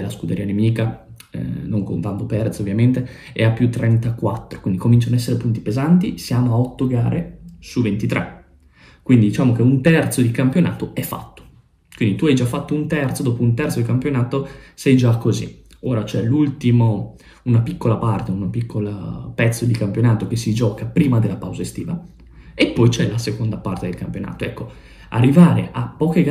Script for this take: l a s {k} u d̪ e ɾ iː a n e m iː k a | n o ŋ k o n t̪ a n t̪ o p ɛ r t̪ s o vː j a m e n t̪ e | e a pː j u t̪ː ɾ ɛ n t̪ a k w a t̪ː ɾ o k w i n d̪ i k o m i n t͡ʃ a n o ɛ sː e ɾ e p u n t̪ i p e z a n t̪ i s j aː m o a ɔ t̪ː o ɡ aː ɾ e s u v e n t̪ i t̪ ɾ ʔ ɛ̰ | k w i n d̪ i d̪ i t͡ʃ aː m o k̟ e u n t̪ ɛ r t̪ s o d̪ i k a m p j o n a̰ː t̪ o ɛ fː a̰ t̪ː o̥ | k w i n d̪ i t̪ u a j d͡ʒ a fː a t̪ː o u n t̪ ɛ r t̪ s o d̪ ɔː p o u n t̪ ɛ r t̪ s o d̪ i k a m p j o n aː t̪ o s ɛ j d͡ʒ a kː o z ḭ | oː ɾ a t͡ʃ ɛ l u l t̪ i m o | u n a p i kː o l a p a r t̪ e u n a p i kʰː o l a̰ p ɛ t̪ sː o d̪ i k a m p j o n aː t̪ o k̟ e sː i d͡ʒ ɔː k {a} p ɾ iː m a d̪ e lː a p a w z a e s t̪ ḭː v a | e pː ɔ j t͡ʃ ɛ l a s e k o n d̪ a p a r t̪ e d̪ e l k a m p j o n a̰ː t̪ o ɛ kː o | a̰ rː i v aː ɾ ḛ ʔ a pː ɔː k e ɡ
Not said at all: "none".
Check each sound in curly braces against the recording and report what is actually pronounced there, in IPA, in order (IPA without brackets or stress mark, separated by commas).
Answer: k, a